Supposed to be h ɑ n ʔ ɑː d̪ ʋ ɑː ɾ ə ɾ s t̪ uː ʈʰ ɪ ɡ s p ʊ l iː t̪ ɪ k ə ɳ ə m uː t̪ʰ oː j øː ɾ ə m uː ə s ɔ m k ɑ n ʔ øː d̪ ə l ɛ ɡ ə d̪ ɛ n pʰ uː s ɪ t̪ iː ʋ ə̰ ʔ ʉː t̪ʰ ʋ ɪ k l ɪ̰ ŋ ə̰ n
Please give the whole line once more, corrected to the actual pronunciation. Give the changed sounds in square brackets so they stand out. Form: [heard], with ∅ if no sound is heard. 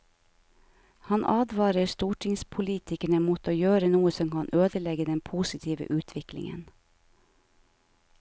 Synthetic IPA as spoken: h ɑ n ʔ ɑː d̪ ʋ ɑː ɾ ə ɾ s t̪ uː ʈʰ ɪ [ŋ] s [pʰ] ʊ l iː t̪ ɪ k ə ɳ ə m uː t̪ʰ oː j øː ɾ ə [n] uː ə s ɔ m k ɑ n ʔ øː d̪ ə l ɛ ɡ ə d̪ ɛ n pʰ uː s ɪ [t̪ʰ] iː ʋ ə̰ ʔ ʉː t̪ʰ ʋ ɪ k l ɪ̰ ŋ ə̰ n